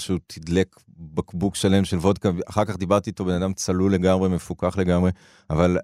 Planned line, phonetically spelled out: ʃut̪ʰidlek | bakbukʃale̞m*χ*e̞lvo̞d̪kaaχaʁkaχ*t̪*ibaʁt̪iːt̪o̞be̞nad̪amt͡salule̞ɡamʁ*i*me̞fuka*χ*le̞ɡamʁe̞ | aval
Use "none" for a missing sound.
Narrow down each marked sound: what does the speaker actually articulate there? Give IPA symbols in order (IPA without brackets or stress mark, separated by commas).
ʃ, d̪, e, χ